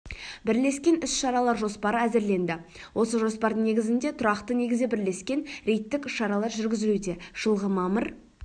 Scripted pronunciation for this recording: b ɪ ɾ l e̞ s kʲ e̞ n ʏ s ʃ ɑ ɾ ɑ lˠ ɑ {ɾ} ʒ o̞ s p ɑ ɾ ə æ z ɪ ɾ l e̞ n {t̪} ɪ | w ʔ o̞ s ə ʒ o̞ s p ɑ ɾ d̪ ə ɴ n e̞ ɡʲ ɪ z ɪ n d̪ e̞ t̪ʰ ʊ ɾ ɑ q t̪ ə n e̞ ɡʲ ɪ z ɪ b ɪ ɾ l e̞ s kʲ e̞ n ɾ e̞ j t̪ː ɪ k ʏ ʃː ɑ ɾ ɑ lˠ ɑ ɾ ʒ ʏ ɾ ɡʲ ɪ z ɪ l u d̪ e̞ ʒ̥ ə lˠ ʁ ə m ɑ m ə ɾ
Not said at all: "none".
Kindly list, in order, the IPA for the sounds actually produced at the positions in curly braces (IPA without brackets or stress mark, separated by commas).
ɾ, d̪